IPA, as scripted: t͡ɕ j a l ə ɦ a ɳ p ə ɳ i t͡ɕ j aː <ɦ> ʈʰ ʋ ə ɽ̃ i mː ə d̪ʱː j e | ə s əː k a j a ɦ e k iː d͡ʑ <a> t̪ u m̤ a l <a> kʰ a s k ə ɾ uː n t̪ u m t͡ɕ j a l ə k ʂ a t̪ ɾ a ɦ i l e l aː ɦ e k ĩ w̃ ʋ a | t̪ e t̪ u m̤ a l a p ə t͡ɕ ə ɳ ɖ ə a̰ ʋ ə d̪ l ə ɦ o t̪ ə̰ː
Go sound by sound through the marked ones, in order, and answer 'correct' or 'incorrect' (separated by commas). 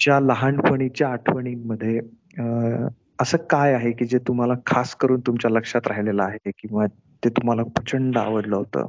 incorrect, incorrect, correct